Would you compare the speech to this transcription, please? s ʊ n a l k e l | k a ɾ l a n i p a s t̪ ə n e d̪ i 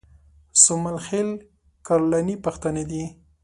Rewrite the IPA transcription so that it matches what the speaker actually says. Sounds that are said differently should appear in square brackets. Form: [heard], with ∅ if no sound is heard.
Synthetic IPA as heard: s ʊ [m] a l [x] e l | k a ɾ l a n i p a [x] t̪ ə n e d̪ i